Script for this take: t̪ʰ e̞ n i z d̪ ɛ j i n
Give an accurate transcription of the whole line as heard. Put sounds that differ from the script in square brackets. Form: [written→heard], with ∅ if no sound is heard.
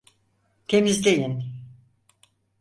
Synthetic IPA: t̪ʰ e̞ [n→m] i z d̪ [ɛ→e] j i n